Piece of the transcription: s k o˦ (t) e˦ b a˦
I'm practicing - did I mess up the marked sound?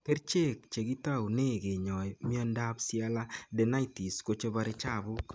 yes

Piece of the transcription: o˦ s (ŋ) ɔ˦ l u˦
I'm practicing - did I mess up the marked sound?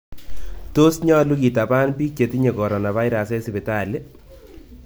yes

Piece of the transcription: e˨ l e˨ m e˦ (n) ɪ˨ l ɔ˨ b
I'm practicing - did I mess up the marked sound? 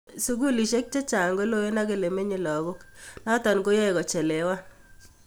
yes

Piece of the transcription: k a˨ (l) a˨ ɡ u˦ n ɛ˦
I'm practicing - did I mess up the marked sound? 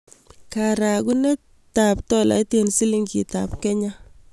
yes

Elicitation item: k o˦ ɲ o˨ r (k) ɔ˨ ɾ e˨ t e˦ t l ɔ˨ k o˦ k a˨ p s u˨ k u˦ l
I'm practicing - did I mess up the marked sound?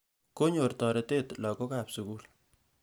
yes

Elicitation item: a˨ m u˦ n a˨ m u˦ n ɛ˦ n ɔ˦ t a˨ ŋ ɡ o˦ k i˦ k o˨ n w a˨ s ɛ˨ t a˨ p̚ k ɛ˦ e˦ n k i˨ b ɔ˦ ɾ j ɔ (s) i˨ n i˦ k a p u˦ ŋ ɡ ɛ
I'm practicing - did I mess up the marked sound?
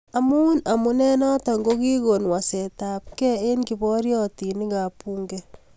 yes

